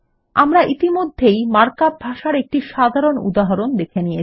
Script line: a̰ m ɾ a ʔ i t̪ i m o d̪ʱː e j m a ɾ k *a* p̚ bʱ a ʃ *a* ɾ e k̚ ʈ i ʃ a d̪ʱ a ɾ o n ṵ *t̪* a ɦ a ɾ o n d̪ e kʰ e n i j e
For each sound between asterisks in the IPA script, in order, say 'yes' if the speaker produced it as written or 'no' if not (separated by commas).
yes, yes, no